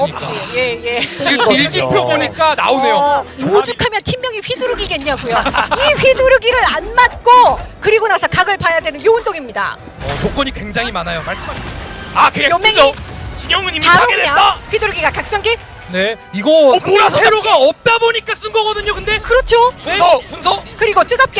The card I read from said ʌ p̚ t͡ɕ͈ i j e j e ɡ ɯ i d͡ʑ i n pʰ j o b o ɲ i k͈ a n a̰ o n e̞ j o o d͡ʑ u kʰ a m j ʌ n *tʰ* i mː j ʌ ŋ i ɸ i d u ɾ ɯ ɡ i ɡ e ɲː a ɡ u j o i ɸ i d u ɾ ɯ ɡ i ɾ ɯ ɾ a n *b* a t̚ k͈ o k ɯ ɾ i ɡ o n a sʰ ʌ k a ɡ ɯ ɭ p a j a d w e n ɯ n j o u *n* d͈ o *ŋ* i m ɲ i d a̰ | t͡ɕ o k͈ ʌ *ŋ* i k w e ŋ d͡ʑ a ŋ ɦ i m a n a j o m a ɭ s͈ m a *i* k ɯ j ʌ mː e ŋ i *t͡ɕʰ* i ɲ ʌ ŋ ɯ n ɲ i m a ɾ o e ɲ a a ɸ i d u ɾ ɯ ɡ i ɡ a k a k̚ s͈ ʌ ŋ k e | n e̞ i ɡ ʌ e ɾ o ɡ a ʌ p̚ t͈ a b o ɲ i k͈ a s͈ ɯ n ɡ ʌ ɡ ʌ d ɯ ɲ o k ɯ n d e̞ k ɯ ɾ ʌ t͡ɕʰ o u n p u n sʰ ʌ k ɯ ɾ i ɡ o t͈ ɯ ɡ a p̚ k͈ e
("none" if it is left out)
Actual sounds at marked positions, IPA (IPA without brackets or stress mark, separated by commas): tʰ, m, n, ŋ, ɲ, a, t͡ɕ